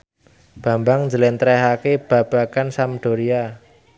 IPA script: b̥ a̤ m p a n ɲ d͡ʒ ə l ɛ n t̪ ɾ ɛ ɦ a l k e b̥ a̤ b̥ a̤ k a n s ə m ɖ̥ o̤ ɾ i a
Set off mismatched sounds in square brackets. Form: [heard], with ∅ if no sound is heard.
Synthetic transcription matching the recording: b̥ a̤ m [b] a [ŋ] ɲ d͡ʒ ə l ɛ n t̪ ɾ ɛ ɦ a [∅] k e b̥ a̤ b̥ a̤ k a n s [a] m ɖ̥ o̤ ɾ i a